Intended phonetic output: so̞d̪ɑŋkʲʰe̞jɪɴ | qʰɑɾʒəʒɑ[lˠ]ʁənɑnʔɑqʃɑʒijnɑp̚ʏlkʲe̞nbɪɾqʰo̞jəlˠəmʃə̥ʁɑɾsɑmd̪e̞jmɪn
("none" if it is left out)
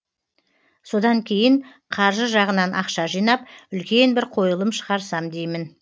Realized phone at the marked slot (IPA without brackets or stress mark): none